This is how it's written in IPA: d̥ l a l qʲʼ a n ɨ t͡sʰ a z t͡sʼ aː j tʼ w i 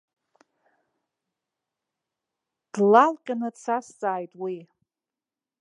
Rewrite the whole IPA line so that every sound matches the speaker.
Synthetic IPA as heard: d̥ l a l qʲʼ a n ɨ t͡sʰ a s t͡sʼ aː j tʼ w i